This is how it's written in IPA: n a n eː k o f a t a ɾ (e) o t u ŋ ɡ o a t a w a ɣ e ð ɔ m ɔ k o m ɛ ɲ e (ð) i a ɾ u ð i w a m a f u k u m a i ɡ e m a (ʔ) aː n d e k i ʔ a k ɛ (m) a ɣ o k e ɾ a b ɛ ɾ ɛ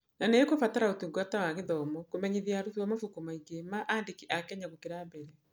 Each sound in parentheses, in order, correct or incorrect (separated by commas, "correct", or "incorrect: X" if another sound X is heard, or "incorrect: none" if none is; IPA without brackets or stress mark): incorrect: a, correct, correct, incorrect: ɲ